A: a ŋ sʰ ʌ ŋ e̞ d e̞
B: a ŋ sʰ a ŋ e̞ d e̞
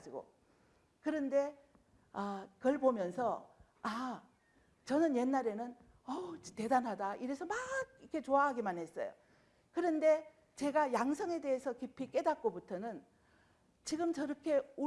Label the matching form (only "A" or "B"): A